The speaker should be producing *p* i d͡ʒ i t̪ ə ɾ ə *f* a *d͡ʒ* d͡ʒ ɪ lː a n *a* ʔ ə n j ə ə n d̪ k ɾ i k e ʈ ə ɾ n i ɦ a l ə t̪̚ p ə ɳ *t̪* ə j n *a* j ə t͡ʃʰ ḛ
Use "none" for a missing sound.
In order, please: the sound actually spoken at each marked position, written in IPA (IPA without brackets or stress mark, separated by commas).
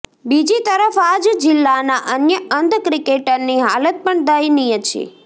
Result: b, f, d͡ʒ, a, d̪, i